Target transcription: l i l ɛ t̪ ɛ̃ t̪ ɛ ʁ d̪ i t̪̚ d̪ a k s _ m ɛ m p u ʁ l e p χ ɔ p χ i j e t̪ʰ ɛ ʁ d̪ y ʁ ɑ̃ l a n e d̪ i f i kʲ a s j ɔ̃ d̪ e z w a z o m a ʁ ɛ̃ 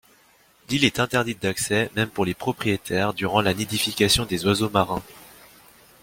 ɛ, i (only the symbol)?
ɛ